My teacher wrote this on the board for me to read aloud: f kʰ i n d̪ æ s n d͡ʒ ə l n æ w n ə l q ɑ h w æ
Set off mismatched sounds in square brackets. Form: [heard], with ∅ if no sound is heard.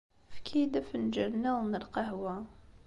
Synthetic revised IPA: f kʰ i [∅] d̪ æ [f] n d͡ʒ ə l n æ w n ə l q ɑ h w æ